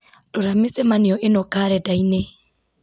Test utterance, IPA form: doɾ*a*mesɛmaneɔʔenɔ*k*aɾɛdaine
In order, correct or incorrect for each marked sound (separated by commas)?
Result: correct, correct